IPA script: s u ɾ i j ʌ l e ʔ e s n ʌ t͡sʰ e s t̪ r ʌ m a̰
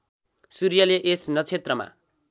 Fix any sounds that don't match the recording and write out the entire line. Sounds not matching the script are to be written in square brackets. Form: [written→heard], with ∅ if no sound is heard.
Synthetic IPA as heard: s u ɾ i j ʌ l e ʔ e s n ʌ t͡sʰ e [s→∅] t̪ r ʌ m a̰